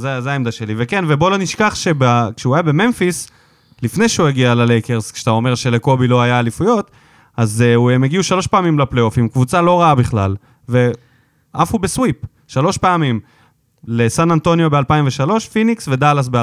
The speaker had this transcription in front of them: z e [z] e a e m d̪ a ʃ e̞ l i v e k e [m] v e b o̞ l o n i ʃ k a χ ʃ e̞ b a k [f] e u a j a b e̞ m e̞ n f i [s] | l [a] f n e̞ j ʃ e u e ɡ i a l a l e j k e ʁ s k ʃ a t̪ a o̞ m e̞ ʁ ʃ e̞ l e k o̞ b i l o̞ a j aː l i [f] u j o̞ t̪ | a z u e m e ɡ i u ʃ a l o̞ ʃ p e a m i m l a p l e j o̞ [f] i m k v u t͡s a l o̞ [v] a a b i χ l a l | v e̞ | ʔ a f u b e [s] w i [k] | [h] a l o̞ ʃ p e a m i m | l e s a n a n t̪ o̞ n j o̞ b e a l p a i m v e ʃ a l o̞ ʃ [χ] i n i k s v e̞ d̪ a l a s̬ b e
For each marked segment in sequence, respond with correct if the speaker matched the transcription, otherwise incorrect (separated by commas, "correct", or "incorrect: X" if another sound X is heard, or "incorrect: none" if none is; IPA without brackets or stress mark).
correct, incorrect: n, incorrect: ʃ, correct, incorrect: i, correct, correct, incorrect: ʁ, correct, incorrect: p, incorrect: ʃ, incorrect: f